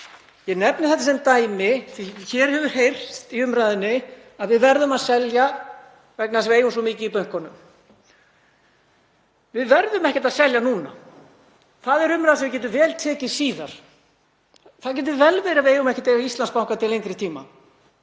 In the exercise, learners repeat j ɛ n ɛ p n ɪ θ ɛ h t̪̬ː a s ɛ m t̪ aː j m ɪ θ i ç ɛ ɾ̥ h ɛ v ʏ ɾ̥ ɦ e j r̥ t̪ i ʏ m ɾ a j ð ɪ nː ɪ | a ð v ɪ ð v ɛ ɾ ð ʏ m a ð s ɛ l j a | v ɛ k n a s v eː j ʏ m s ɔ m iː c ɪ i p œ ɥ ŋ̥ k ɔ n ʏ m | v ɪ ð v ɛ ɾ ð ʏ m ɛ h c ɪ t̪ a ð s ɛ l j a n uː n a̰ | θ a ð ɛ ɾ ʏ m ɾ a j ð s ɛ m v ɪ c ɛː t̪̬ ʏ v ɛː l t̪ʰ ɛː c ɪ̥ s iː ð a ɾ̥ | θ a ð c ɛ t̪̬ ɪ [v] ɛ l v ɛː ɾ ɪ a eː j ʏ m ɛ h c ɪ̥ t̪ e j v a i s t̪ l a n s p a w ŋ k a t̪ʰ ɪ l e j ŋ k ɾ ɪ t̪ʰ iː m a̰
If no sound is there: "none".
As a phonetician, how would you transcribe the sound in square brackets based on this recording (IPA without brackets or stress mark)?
v